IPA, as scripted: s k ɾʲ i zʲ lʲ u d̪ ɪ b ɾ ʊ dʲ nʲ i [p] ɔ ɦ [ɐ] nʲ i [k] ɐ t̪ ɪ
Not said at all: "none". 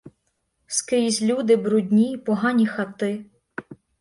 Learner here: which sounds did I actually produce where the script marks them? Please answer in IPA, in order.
p, ɑ, x

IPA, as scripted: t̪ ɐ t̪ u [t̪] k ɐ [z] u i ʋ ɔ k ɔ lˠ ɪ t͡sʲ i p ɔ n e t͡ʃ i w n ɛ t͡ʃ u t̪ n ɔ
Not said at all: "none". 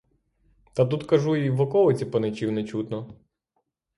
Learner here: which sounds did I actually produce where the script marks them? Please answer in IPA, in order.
t̪, ʒ

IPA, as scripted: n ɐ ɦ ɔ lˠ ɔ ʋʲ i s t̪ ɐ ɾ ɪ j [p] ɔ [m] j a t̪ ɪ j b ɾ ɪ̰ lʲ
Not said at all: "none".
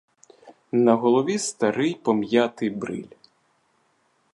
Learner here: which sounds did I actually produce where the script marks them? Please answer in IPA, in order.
p, m

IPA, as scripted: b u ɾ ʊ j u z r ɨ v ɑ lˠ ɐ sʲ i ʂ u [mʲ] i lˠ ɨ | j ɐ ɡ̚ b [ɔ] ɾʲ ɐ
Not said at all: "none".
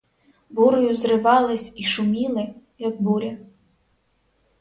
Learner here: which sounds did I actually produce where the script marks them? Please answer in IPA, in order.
mʲ, u

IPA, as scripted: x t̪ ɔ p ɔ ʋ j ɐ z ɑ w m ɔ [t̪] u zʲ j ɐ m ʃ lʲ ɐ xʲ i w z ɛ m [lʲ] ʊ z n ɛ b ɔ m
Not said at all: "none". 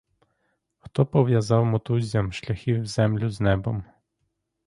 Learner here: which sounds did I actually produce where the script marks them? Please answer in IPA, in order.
t̪, lʲ

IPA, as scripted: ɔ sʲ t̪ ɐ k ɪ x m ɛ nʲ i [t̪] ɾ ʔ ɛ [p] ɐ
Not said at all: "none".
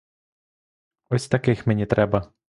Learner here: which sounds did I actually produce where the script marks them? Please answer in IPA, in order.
t̪, b

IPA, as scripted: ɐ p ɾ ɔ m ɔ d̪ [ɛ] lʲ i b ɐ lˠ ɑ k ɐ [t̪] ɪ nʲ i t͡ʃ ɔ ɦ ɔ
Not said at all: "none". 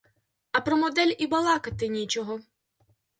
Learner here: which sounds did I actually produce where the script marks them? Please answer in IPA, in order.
ɛ, t̪

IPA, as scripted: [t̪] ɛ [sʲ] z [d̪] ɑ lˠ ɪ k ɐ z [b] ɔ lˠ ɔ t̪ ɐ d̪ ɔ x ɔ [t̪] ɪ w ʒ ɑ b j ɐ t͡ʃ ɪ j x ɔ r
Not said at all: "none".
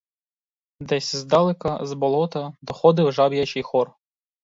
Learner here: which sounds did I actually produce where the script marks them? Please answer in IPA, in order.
d̪, sʲ, d̪, b, d̪

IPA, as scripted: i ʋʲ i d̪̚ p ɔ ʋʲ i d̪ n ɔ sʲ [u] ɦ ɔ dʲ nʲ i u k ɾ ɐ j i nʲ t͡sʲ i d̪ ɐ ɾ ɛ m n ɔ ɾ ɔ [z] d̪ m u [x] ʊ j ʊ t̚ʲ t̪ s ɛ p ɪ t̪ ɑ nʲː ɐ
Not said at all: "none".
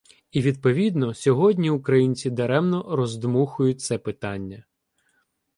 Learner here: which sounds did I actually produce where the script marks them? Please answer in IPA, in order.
ɔ, z, x

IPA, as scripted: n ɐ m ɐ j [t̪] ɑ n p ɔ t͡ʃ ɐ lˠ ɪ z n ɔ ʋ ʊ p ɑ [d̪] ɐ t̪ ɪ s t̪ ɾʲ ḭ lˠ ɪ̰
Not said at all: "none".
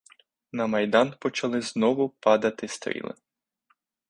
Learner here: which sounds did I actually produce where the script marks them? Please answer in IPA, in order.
d̪, d̪

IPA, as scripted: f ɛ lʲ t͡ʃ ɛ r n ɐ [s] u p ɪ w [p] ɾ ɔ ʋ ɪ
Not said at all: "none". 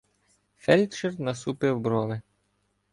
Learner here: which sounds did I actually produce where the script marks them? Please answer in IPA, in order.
s, b

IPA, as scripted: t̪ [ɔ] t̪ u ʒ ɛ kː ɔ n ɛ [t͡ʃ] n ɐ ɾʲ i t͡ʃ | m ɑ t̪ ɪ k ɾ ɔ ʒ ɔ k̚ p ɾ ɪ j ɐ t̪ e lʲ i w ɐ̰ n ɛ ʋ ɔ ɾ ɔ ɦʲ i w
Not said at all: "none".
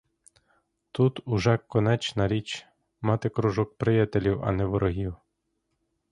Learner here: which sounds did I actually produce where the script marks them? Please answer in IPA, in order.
u, t͡ʃ

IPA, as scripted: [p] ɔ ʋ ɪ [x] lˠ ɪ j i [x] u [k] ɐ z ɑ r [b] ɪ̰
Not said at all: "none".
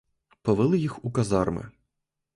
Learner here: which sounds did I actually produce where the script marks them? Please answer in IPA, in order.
p, none, x, k, m

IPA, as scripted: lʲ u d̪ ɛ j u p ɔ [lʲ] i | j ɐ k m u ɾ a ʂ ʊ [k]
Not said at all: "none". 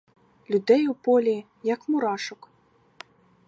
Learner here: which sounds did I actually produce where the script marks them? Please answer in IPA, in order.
lʲ, k

